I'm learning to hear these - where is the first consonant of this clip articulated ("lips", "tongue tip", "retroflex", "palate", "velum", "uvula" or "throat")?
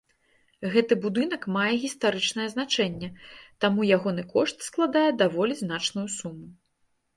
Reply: velum